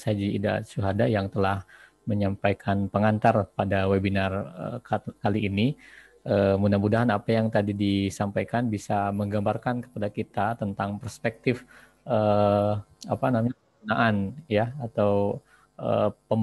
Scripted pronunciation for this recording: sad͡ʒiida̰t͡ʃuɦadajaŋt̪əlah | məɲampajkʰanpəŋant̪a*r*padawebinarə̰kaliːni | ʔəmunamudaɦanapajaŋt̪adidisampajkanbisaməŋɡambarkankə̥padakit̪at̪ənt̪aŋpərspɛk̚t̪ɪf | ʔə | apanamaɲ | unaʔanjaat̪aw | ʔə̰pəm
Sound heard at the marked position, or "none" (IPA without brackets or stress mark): r